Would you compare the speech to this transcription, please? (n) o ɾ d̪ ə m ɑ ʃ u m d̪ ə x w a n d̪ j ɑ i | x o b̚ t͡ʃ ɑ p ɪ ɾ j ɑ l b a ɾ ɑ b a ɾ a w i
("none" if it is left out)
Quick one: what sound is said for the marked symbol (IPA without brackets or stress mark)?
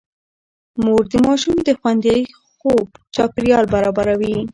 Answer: m